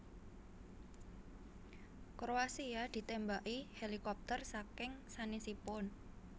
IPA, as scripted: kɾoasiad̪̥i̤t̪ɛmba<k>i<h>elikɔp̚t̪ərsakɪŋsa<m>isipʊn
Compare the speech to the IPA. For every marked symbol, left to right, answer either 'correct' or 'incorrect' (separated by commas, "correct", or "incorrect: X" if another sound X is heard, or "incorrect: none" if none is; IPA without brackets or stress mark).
incorrect: ʔ, correct, incorrect: n